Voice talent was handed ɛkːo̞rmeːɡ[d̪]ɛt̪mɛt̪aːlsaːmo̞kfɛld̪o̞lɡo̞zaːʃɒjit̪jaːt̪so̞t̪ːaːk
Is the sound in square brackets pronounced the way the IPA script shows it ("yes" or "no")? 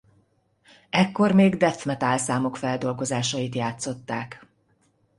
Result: yes